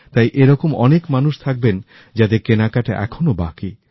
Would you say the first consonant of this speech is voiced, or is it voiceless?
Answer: voiceless